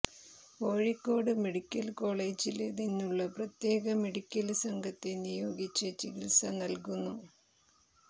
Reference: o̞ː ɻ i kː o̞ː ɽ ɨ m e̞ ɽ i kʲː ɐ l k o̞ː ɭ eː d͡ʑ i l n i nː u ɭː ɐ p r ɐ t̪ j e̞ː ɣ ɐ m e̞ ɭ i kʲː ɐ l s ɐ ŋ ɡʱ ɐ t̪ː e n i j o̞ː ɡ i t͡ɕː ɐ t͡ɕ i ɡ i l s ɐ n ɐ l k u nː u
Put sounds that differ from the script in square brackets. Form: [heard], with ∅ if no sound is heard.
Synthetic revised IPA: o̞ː ɻ i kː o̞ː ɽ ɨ m e̞ ɽ i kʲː ɐ l k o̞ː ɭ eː d͡ʑ i l n i nː u ɭː ɐ p r ɐ t̪ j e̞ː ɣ ɐ m e̞ [ɽ] i kʲː ɐ l s ɐ ŋ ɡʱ ɐ t̪ː e n i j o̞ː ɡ i t͡ɕː ɐ t͡ɕ i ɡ i l s ɐ n ɐ l k u nː u